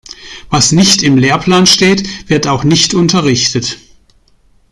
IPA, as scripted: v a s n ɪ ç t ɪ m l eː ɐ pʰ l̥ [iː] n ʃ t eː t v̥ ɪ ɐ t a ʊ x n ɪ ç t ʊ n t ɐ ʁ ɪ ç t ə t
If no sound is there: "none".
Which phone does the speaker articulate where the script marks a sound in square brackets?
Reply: aː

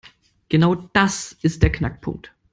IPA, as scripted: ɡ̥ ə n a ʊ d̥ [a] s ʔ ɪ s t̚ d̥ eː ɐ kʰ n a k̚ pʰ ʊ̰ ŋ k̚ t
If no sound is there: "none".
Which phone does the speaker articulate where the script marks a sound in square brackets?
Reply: a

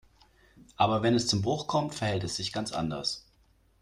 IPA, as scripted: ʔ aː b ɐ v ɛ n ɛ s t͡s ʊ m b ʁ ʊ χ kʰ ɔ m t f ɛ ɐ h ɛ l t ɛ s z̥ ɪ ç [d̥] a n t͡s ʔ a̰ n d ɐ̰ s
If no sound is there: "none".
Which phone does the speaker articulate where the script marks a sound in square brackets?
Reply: ɡ̥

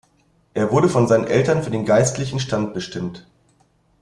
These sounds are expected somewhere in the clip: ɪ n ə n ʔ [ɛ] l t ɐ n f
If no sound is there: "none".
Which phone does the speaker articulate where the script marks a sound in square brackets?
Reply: ɛ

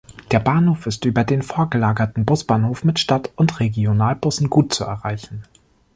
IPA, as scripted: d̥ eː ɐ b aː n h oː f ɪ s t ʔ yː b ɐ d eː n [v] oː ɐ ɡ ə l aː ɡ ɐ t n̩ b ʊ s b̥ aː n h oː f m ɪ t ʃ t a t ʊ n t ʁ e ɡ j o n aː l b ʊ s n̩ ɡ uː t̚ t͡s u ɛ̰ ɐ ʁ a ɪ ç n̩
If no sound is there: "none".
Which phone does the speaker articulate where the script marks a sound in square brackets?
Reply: f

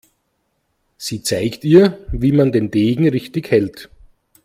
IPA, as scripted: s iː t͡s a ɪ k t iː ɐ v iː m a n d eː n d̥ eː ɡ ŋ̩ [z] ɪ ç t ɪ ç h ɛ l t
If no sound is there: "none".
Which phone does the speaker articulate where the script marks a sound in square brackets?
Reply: ʁ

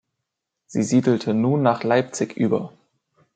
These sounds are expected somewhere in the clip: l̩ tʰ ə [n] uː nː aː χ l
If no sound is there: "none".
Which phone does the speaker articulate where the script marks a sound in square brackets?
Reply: n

